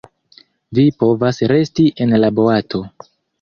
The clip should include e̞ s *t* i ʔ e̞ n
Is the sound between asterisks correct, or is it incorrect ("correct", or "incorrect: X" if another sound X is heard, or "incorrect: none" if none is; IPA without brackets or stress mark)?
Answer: correct